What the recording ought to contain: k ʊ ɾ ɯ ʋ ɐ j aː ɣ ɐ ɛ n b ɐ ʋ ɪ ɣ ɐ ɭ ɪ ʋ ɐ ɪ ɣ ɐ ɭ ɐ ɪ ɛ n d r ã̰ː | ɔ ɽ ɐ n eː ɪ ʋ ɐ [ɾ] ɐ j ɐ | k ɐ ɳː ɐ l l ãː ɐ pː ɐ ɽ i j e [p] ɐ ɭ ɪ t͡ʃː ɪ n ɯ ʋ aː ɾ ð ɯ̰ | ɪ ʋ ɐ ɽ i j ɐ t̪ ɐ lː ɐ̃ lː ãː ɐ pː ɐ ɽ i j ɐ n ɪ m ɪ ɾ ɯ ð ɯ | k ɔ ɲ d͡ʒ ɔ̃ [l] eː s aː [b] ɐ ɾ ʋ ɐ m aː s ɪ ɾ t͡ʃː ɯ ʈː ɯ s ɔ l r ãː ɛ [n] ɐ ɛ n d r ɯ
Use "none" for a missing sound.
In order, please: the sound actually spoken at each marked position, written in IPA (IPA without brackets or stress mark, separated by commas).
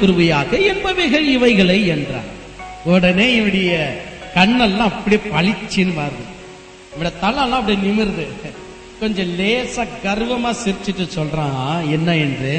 ɽ, p, l, ɡ, nː